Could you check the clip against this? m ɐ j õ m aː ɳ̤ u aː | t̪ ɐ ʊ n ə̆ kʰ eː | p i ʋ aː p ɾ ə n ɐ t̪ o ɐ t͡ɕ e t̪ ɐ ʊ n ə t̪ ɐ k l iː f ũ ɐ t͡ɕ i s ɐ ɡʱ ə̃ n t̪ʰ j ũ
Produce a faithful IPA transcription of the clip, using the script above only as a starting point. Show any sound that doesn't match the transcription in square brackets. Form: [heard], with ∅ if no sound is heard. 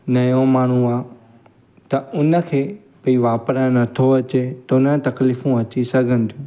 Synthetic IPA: [n] ɐ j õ m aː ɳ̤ u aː | t̪ ɐ ʊ n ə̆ kʰ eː | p i ʋ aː p ɾ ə n ɐ [t̪ʰ] o ɐ t͡ɕ e t̪ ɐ ʊ n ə t̪ ɐ k l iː f ũ ɐ t͡ɕ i s ɐ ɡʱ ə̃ n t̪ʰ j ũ

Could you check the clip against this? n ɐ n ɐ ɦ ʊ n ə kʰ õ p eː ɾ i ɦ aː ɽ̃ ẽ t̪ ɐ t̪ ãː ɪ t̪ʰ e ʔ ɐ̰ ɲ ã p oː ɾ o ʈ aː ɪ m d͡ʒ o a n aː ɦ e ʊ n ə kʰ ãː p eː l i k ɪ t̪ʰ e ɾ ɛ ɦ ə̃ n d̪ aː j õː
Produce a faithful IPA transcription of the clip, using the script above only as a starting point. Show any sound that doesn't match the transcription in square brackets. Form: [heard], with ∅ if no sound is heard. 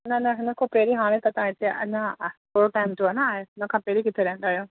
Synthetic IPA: n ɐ n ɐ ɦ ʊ n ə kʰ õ p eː ɾ i ɦ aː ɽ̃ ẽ t̪ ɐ t̪ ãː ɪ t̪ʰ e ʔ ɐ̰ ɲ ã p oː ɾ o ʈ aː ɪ m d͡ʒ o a n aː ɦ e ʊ n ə kʰ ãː p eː [ɾ] i k ɪ t̪ʰ e ɾ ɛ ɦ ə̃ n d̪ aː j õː

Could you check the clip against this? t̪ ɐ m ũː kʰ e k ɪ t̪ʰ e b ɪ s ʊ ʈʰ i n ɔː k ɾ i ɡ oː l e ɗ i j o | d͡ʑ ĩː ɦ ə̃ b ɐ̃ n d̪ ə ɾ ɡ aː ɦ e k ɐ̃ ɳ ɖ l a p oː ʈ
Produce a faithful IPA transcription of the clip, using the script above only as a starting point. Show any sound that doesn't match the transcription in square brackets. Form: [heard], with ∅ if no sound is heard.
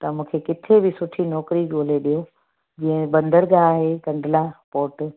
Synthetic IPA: t̪ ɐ m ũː kʰ e k ɪ t̪ʰ e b ɪ s ʊ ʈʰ i n ɔː k ɾ i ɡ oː l e ɗ i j o | d͡ʑ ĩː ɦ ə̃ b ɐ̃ n d̪ ə ɾ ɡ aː ɦ e k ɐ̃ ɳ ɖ l a p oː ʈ

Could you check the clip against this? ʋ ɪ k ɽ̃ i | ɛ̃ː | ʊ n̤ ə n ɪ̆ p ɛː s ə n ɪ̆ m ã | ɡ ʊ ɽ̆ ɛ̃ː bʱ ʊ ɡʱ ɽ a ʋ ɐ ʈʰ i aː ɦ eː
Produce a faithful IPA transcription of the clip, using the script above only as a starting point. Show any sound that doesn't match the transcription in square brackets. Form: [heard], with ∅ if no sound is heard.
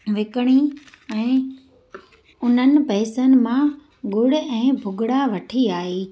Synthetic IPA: ʋ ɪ k ɽ̃ i | ɛ̃ː | ʊ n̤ ə n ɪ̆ p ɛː s ə n ɪ̆ m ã | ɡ ʊ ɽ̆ ɛ̃ː bʱ ʊ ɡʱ ɽ a ʋ ɐ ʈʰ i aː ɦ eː

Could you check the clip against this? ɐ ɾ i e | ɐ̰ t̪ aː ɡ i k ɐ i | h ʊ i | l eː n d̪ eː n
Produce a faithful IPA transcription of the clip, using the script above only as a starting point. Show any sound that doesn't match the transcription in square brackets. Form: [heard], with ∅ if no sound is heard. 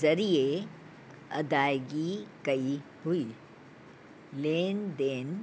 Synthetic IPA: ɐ ɾ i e | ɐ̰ [d̪] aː ɡ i k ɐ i | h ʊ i | l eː n d̪ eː n

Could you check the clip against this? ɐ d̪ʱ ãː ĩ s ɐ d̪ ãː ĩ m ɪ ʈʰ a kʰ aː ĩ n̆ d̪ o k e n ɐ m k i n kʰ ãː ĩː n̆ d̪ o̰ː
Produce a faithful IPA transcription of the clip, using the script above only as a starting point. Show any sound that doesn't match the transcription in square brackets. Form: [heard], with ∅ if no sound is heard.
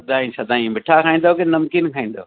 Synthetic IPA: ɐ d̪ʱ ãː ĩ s ɐ d̪ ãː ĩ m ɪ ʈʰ a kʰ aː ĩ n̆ d̪ o k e n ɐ m k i n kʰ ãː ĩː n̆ d̪ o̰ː

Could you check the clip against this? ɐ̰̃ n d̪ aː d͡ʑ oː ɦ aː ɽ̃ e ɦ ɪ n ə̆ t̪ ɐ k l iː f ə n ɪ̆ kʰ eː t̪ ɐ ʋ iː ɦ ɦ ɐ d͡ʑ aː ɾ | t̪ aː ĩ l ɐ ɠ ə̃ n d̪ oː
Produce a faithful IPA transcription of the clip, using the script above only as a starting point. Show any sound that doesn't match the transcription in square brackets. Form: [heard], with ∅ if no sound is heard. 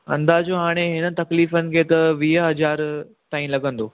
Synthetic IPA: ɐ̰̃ n d̪ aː d͡ʑ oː ɦ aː ɽ̃ e ɦ ɪ n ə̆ t̪ ɐ k l iː f ə n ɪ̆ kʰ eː t̪ ɐ ʋ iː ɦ ɦ ɐ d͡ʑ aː ɾ | t̪ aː ĩ l ɐ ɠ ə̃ n d̪ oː

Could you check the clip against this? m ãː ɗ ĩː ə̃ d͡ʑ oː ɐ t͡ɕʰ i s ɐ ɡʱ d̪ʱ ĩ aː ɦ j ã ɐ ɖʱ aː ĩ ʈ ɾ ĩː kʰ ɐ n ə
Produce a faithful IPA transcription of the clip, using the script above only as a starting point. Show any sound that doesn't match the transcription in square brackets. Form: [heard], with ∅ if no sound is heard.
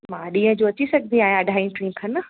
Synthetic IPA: m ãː ɗ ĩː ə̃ d͡ʑ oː ɐ [t͡ɕ] i s ɐ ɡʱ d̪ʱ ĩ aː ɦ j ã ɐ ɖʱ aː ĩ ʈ ɾ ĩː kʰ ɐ n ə

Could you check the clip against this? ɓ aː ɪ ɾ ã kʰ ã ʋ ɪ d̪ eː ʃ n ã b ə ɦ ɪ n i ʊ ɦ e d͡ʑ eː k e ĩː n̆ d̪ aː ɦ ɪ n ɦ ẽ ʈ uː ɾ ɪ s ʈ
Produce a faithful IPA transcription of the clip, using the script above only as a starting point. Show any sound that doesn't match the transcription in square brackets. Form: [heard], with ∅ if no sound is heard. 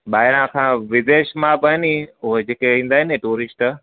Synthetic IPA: ɓ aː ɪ ɾ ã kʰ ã ʋ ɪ d̪ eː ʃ [m] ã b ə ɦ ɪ n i ʊ ɦ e d͡ʑ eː k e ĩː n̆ d̪ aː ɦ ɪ n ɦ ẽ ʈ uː ɾ ɪ s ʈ

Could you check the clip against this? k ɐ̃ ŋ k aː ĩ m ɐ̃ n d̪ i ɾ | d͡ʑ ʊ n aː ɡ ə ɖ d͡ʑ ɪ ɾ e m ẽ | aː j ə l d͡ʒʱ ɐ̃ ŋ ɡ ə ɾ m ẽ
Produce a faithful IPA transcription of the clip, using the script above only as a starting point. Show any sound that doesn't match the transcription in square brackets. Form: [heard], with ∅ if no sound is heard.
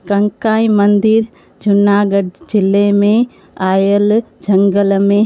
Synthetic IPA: k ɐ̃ ŋ k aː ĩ m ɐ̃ n d̪ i ɾ | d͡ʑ ʊ n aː ɡ ə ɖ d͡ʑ ɪ [l] e m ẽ | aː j ə l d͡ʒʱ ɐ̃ ŋ ɡ ə [l] m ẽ

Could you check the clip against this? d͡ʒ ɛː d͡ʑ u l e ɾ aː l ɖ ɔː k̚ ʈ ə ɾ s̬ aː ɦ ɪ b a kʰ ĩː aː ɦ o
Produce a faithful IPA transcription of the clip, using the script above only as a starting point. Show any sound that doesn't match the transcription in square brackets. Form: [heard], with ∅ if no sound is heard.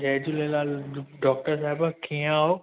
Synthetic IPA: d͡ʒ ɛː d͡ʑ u l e [l] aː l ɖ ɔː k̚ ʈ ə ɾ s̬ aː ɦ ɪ b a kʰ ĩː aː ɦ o

